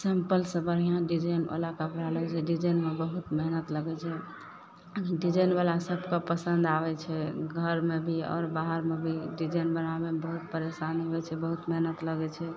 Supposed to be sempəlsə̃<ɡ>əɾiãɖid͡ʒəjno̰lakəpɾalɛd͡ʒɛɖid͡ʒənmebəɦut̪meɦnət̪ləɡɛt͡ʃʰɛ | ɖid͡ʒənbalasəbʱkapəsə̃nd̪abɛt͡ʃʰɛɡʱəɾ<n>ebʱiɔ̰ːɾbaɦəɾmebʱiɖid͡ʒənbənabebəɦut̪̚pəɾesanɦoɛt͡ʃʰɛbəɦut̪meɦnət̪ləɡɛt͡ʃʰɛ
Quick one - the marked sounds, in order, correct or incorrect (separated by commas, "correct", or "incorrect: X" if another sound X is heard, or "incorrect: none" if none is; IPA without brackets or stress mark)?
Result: incorrect: b, incorrect: m